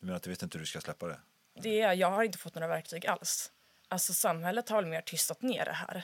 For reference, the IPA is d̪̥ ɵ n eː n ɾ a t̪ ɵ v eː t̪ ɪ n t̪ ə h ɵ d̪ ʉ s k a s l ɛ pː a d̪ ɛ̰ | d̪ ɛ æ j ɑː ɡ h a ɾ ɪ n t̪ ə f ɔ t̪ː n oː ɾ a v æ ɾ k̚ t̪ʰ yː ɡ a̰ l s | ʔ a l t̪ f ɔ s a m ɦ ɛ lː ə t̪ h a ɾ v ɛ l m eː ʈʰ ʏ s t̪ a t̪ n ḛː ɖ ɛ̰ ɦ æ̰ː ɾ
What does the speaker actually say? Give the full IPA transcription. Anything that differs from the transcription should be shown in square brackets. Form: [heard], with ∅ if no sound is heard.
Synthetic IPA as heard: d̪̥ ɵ [m] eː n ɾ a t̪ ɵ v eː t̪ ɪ n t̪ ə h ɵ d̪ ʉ s k a s l ɛ pː a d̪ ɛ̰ | d̪ ɛ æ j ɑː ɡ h a ɾ ɪ n t̪ ə f ɔ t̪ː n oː ɾ a v æ ɾ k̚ t̪ʰ yː ɡ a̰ l s | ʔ a l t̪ [s] ɔ s a m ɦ ɛ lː ə t̪ h a ɾ v ɛ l m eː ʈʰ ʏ s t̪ a t̪ n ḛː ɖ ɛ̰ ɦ æ̰ː ɾ